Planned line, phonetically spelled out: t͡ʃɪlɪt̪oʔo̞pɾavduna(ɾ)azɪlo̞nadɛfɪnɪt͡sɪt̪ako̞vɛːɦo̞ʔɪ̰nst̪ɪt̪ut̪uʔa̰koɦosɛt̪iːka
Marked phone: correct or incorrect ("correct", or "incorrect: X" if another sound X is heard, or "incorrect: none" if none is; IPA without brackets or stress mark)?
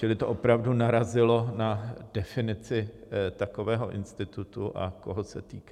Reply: correct